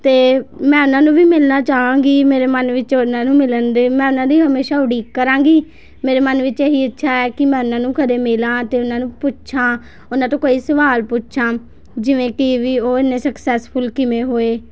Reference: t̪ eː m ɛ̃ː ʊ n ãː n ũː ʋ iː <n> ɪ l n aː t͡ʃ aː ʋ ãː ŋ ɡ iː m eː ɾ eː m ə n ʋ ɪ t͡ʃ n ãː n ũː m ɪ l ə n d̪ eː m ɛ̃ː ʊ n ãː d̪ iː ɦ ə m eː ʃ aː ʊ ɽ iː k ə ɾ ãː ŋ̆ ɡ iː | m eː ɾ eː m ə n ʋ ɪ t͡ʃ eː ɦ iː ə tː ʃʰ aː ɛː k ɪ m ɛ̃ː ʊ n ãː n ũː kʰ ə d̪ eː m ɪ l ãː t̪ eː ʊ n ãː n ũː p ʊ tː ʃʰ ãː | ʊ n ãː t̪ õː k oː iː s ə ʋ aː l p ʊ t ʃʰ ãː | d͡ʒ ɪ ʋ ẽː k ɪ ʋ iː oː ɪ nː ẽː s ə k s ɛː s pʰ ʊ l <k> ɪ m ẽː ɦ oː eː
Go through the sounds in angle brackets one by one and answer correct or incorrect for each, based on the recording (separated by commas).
incorrect, correct